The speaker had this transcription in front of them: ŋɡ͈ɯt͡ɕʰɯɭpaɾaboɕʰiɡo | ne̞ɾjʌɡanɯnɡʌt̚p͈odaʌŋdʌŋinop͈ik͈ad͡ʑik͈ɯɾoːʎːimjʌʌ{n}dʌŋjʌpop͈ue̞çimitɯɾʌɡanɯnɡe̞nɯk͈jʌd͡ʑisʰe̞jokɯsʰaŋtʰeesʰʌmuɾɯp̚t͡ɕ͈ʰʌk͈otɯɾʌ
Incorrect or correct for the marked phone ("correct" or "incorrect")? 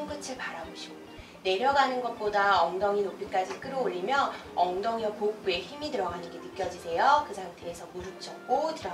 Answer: incorrect